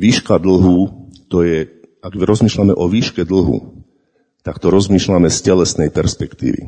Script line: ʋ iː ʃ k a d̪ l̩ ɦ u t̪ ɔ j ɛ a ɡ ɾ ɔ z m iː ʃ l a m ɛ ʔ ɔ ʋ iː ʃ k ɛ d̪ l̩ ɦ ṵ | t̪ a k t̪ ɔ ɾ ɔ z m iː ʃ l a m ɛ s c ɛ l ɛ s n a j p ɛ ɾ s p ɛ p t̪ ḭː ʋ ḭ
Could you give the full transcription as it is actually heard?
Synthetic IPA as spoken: ʋ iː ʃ k a d̪ l̩ ɦ u t̪ ɔ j ɛ a ɡ ɾ ɔ z m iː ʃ l a m ɛ ʔ ɔ ʋ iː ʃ k ɛ d̪ l̩ ɦ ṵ | t̪ a k t̪ ɔ ɾ ɔ z m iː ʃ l a m ɛ s c ɛ l ɛ s n ɛ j p ɛ ɾ s p ɛ k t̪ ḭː ʋ ḭ